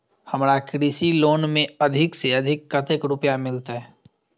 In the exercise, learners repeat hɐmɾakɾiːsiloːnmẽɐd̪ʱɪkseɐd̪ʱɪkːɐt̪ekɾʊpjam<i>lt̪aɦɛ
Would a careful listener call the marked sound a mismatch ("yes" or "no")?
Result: yes